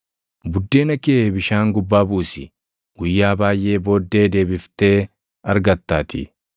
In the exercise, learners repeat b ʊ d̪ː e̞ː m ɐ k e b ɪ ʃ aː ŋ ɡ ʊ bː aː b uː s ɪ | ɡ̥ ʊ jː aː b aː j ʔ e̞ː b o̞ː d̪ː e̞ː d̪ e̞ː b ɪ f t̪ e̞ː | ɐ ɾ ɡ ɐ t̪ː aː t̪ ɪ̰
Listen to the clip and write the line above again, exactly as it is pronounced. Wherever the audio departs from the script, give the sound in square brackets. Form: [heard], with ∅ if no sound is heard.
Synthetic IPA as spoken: b ʊ d̪ː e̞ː [n] ɐ k e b ɪ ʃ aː ŋ ɡ ʊ bː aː b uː s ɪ | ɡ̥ ʊ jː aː b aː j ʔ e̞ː b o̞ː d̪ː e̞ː d̪ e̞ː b ɪ f t̪ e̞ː | ɐ ɾ ɡ ɐ t̪ː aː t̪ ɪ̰